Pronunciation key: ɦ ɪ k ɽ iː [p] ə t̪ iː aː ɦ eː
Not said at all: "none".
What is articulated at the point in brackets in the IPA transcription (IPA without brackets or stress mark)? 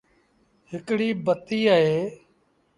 b